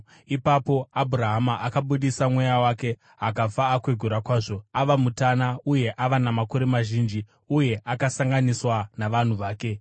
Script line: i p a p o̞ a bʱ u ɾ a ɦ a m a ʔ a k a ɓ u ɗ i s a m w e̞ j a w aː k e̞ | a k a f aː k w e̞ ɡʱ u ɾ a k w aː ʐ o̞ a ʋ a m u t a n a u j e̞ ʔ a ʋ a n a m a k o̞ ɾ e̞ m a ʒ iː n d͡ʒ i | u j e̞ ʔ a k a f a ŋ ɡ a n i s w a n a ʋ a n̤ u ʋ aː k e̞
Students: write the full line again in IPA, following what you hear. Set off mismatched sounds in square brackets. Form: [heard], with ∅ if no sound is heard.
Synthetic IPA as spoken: i p a p o̞ a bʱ u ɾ a ɦ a m a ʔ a k a ɓ u ɗ i s a m w e̞ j a w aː k e̞ | a k a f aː k w e̞ ɡʱ u ɾ a k w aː ʐ o̞ a ʋ a m u t a n a u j e̞ ʔ a ʋ a n a m a k o̞ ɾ e̞ m a ʒ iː n d͡ʒ i | u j e̞ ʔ a k a [s] a ŋ ɡ a n i s w a n a ʋ a n̤ u ʋ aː k e̞

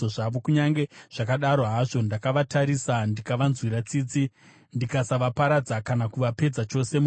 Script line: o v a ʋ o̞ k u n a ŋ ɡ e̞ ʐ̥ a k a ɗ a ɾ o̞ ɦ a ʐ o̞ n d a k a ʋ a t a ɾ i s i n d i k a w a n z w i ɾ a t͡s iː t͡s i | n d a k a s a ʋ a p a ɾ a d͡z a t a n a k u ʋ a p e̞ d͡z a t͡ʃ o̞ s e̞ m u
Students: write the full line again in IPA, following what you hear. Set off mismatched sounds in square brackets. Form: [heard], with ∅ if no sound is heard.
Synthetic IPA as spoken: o [ʐ] a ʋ o̞ k u [ɲ] a ŋ ɡ e̞ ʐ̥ a k a ɗ a ɾ o̞ ɦ a ʐ o̞ n d a k a ʋ a t a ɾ i s [a] n d i k a [ʋ] a n z w i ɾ a t͡s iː t͡s i | n d [i] k a s a ʋ a p a ɾ a d͡z a [k] a n a k u ʋ a p e̞ d͡z a t͡ʃ o̞ s e̞ m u

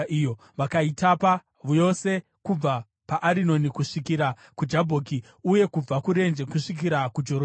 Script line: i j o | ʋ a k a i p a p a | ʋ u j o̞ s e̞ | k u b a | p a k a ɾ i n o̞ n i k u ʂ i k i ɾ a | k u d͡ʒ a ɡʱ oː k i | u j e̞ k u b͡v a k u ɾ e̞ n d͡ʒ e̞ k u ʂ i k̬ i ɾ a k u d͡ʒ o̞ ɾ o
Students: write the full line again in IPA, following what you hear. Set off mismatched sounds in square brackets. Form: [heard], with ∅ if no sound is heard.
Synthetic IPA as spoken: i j o | ʋ a k a i [t] a p a | ʋ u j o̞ s e̞ | k u [b͡v] a | p a [ʔ] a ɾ i n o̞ n i k u ʂ i k i ɾ a | k u d͡ʒ a [bʱ] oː k i | u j e̞ k u b͡v a k u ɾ e̞ n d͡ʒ e̞ k u ʂ i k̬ i ɾ a k u d͡ʒ o̞ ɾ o

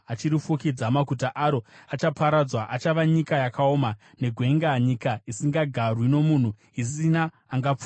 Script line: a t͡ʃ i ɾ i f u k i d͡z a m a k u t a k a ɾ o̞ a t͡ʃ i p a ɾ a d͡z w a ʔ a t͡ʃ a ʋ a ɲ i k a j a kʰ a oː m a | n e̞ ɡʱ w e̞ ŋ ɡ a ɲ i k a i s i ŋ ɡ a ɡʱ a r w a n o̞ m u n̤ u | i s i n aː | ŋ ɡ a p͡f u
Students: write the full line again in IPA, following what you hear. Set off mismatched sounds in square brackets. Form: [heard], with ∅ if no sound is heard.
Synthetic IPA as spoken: a t͡ʃ i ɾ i f u k i d͡z a m a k u t a [ʔ] a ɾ o̞ a t͡ʃ [a] p a ɾ a d͡z w a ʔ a t͡ʃ a ʋ a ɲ i k a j a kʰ a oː m a | n e̞ ɡʱ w e̞ ŋ ɡ a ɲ i k a i s i ŋ ɡ a ɡʱ a r w [i] n o̞ m u n̤ u | i s i n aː | ŋ ɡ a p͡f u

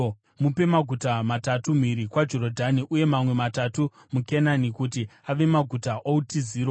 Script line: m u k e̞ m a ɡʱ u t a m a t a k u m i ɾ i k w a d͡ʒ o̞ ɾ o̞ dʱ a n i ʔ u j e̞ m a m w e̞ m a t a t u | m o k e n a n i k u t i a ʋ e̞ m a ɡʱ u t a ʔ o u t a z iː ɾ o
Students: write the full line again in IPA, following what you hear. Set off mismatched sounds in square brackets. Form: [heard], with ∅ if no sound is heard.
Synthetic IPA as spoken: m u [p] e̞ m a ɡʱ u t a m a t a [t] u m i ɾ i k w a d͡ʒ o̞ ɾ o̞ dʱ a n i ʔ u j e̞ m a m w e̞ m a t a t u | m [u] k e n a n i k u t i a ʋ e̞ m a ɡʱ u t a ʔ o u t [i] z iː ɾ o

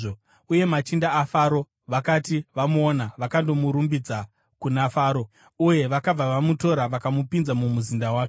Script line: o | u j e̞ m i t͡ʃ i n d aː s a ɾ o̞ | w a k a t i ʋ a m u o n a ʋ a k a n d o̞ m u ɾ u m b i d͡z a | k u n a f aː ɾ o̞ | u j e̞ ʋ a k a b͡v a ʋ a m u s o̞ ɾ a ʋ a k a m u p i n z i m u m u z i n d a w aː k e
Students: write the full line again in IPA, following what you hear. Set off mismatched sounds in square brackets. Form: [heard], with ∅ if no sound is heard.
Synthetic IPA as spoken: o | u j e̞ m [a] t͡ʃ i n d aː [f] a ɾ o̞ | [ʋ] a k a t i ʋ a m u o n a ʋ a k a n d o̞ m u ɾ u m b i d͡z a | k u n a f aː ɾ o̞ | u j e̞ ʋ a k a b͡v a ʋ a m u [t] o̞ ɾ a ʋ a k a m u p i n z [a] m u m u z i n d a w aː k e

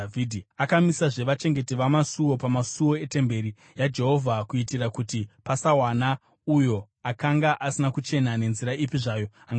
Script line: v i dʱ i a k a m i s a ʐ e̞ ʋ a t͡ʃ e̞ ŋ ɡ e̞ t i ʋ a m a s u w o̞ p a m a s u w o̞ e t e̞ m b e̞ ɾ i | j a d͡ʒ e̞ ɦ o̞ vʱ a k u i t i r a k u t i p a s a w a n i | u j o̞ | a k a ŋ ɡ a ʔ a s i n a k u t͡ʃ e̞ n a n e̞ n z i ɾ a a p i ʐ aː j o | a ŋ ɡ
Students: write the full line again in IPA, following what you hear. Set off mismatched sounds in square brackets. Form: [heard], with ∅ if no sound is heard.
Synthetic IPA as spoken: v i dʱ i a k a m i s a ʐ e̞ ʋ a t͡ʃ e̞ ŋ ɡ e̞ t i ʋ a m a s u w o̞ p a m a s u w o̞ e t e̞ m b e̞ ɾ i | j a d͡ʒ e̞ ɦ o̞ vʱ a k u i t i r a k u t i p a s a w a n [a] | u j o̞ | a k a ŋ ɡ a ʔ a s i n a k u t͡ʃ e̞ n a n e̞ n z i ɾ a [i] p i ʐ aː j o | a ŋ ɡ

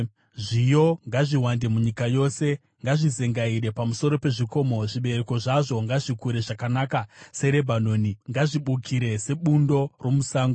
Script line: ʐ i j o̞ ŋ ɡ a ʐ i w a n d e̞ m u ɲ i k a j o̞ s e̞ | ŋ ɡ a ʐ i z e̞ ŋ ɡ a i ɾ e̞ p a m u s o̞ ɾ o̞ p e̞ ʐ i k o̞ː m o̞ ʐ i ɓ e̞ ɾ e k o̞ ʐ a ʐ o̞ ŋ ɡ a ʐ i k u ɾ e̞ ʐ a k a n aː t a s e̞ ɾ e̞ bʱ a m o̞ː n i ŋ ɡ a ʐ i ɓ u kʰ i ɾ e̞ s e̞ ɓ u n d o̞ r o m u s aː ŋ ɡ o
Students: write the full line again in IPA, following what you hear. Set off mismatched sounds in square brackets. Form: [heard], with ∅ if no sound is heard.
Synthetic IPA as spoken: ʐ i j o̞ ŋ ɡ a ʐ i w a n d e̞ m u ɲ i k a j o̞ s e̞ | ŋ ɡ a ʐ i z e̞ ŋ ɡ a i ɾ e̞ p a m u s o̞ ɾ o̞ p e̞ ʐ i k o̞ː m o̞ ʐ i ɓ e̞ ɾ e k o̞ ʐ a ʐ o̞ ŋ ɡ a ʐ i k u ɾ e̞ ʐ a k a n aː [k] a s e̞ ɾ e̞ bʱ a [n] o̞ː n i ŋ ɡ a ʐ i ɓ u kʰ i ɾ e̞ s e̞ ɓ u n d o̞ r o m u s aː ŋ ɡ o

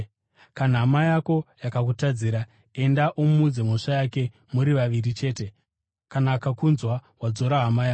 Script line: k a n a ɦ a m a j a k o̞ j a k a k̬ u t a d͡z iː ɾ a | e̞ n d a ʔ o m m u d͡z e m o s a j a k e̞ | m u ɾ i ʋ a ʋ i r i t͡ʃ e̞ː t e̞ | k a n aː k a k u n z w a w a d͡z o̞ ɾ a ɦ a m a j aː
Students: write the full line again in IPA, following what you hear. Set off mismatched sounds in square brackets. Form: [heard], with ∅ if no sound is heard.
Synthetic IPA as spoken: k a n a ɦ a m a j a k o̞ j a k a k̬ u t a d͡z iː ɾ a | e̞ n d a ʔ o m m u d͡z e m o [ʂ] a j a k e̞ | m u ɾ i ʋ a ʋ i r i t͡ʃ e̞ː t e̞ | k a n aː k a k u n z w a w a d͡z o̞ ɾ a ɦ a m a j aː

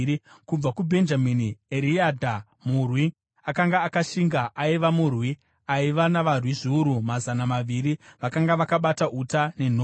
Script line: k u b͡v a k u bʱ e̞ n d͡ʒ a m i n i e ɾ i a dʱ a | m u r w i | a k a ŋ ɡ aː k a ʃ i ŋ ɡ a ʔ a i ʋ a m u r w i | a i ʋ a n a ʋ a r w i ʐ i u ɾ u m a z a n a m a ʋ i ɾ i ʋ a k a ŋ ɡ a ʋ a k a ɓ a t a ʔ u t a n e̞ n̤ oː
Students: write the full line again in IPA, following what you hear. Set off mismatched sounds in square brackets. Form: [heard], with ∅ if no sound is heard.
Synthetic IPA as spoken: k u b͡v a k u bʱ e̞ n d͡ʒ a m i n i e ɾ i a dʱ a | m u r w i | a k a ŋ ɡ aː k a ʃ i ŋ ɡ a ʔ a i ʋ a m u r w i | a i ʋ a n a ʋ a r w i ʐ i u ɾ u m a z a n a m a ʋ i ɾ i ʋ a k a ŋ ɡ a ʋ a k a ɓ a t a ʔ u t a n e̞ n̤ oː

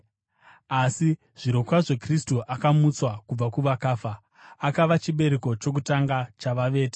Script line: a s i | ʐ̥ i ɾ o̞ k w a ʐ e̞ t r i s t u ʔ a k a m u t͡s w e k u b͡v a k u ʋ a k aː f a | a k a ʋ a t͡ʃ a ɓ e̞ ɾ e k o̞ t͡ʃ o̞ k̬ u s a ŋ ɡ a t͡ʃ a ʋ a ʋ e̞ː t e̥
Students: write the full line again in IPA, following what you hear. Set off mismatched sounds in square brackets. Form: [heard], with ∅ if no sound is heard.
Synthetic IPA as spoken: a s i | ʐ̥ i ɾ o̞ k w a ʐ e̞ [k] r i s t u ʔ a k a m u t͡s w [a] k u b͡v a k u ʋ a k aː f a | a k a ʋ a t͡ʃ [i] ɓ e̞ ɾ e k o̞ t͡ʃ o̞ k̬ u [t] a ŋ ɡ a t͡ʃ a ʋ a ʋ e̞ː t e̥

